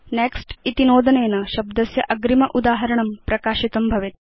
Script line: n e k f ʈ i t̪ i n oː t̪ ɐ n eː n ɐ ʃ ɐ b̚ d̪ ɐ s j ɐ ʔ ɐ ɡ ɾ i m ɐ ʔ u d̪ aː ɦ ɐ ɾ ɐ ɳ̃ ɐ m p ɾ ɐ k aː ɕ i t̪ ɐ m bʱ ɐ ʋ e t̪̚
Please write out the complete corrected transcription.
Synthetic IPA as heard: n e k s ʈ i t̪ i n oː d̪ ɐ n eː n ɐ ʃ ɐ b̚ d̪ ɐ s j ɐ ʔ ɐ ɡ ɾ i m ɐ ʔ u d̪ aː ɦ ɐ ɾ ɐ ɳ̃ ɐ m p ɾ ɐ k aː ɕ i t̪ ɐ m bʱ ɐ ʋ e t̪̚